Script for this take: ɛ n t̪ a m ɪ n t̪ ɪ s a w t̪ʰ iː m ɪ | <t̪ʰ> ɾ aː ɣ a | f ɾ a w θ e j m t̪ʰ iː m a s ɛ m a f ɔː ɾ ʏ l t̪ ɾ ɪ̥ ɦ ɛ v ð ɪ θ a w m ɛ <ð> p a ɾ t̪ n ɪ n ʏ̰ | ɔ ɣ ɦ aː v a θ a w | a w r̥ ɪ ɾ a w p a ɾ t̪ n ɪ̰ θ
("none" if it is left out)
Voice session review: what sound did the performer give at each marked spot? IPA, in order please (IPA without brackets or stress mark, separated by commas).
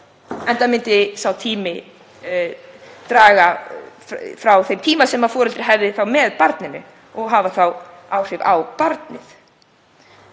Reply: t̪, ð